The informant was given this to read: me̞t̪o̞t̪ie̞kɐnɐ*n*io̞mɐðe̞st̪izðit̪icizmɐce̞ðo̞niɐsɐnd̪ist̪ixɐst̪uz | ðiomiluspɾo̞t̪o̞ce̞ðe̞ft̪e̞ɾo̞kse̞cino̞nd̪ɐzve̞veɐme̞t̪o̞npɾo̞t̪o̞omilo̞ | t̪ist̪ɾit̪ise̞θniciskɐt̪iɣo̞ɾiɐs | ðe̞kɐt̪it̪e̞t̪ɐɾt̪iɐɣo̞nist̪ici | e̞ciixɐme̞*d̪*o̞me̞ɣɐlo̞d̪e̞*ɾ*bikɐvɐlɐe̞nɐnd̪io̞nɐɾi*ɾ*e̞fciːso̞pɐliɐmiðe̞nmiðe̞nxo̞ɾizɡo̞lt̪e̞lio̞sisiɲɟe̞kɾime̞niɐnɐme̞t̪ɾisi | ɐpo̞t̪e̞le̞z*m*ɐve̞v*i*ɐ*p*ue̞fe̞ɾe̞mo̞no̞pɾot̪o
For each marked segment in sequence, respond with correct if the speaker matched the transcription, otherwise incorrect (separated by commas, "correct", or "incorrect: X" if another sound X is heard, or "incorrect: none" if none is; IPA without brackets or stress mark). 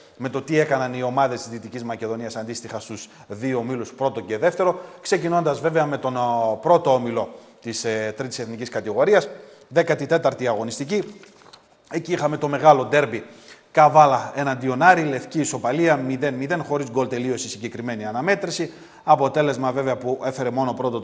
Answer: correct, incorrect: t̪, correct, incorrect: l, correct, incorrect: e, correct